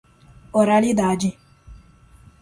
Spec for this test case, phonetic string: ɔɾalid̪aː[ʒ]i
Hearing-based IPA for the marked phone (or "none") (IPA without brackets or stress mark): d͡ʒ